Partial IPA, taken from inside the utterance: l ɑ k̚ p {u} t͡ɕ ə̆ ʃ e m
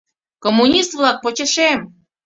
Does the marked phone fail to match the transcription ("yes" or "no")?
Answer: yes